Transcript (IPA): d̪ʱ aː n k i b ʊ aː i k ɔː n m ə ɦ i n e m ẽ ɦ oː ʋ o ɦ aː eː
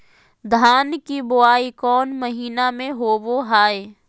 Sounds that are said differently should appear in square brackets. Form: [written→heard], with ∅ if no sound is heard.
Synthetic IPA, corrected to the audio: d̪ʱ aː n k i b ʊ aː i k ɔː n m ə ɦ [i→iː] n [e→a] m ẽ ɦ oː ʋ o ɦ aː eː